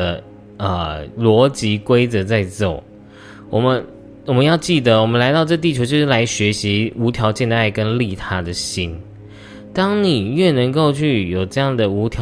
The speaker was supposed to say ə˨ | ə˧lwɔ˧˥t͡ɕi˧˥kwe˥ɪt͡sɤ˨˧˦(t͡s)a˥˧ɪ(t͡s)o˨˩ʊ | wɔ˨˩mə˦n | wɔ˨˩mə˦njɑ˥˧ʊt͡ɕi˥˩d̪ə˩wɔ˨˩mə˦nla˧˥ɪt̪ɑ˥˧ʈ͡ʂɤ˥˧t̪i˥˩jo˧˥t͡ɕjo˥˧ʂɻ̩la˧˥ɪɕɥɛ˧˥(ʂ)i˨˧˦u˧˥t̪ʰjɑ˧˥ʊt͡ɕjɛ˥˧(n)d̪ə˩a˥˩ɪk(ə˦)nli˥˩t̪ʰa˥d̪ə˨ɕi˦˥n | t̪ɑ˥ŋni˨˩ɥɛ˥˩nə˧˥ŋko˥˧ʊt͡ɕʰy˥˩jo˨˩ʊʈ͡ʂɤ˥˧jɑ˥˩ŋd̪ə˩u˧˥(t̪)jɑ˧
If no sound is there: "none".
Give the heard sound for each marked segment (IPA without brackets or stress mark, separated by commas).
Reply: t͡s, t͡s, ɕ, n, ə˦, t̪ʰ